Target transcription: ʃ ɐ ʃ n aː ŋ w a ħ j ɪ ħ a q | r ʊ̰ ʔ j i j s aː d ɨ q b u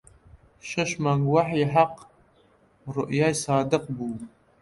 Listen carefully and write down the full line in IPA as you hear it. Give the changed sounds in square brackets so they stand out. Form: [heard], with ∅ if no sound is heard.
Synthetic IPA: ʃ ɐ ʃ [m] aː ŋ w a ħ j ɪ ħ a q | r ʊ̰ ʔ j [a] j s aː d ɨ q b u